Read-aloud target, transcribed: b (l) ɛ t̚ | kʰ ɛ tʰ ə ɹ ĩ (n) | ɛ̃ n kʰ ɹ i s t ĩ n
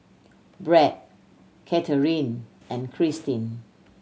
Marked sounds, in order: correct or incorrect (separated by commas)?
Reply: incorrect, correct